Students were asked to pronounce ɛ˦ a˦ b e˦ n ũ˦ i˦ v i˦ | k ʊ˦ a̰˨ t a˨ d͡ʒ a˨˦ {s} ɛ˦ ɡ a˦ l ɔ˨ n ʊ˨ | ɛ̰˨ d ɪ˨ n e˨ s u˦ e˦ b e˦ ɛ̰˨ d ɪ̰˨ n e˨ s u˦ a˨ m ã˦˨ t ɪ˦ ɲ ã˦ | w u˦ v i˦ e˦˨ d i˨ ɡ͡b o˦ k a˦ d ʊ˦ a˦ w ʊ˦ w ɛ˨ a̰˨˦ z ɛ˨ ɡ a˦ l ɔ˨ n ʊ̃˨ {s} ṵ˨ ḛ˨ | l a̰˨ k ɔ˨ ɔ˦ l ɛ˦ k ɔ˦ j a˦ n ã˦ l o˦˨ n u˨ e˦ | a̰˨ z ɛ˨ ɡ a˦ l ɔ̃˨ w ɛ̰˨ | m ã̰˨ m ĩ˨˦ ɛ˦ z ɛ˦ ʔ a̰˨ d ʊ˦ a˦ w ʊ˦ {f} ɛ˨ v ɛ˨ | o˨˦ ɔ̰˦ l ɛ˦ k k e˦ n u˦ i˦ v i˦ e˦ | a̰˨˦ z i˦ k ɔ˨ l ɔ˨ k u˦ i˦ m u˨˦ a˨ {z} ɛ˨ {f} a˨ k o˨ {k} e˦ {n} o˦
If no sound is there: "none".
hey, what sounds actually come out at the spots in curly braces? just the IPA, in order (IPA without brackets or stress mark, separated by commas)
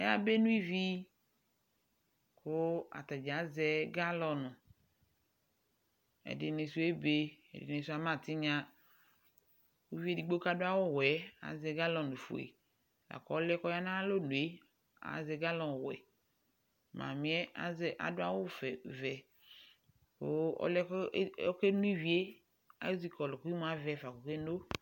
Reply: z, f, f, v, f, k, n